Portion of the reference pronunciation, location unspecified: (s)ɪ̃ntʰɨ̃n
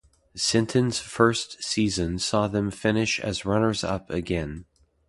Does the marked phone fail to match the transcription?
no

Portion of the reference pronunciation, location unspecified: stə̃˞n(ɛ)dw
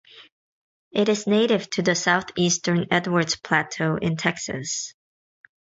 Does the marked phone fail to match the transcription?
no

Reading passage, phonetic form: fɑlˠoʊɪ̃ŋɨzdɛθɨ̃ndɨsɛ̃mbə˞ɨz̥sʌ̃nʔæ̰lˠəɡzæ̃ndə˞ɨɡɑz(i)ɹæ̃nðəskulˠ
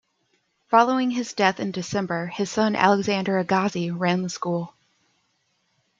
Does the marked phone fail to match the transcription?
no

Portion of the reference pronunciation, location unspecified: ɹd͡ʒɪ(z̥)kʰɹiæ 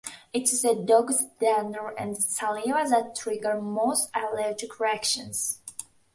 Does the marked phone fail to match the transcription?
yes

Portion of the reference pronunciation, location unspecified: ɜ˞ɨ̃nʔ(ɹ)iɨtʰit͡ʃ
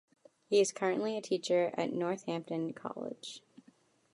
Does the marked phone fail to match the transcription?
yes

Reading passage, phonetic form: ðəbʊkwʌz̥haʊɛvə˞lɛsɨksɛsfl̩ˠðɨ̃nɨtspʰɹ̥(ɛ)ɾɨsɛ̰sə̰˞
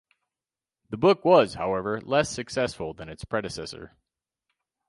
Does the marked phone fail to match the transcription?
no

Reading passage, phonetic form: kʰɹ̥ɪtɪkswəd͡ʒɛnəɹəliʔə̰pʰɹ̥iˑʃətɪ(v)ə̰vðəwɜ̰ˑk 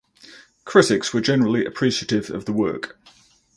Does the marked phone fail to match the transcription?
no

